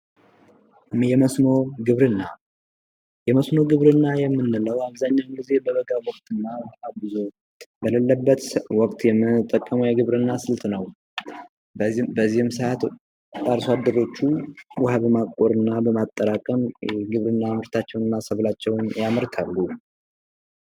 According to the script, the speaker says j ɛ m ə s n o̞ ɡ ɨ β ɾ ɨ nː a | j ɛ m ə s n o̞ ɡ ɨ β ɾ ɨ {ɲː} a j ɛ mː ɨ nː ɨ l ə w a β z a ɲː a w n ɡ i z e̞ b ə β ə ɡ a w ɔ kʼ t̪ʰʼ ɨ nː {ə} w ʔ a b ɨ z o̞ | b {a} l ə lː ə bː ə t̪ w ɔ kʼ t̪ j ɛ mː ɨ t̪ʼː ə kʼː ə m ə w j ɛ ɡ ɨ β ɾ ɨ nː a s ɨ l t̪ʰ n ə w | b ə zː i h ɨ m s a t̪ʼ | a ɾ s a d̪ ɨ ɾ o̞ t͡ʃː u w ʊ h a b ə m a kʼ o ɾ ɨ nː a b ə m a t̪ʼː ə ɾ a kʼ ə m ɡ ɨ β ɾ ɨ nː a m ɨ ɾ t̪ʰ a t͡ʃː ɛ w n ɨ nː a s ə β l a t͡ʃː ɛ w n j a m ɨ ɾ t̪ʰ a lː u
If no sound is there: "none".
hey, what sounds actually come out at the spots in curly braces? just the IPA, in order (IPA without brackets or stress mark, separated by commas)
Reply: nː, a, ə